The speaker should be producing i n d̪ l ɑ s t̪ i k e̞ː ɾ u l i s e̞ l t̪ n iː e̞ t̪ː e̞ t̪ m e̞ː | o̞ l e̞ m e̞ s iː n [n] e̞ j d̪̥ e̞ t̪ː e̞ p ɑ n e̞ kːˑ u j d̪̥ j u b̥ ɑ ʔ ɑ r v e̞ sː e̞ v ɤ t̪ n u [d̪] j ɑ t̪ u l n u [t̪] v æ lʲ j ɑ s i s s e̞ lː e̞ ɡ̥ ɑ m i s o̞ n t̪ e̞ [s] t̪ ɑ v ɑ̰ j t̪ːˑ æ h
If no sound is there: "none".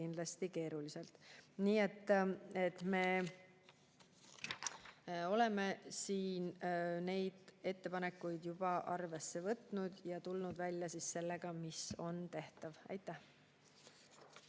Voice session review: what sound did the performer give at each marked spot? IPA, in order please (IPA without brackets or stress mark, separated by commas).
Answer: n, d̪, d̪, h